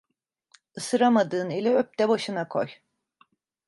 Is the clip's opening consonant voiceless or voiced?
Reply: voiceless